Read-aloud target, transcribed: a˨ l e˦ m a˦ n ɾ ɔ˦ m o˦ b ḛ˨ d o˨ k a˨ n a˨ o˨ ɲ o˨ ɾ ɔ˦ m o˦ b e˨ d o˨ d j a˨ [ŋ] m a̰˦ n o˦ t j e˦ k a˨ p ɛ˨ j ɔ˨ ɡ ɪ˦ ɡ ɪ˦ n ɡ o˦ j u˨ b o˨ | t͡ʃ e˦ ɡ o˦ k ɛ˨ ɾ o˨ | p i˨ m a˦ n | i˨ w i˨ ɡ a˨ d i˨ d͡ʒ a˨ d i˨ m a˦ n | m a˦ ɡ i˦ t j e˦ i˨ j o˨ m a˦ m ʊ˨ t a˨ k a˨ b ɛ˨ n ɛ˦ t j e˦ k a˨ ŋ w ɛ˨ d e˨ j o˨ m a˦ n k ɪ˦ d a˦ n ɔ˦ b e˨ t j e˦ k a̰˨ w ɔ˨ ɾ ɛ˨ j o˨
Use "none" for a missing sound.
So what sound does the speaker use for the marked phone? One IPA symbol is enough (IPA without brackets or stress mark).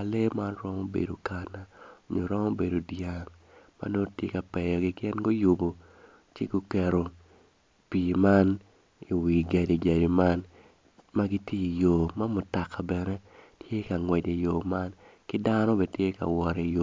ŋ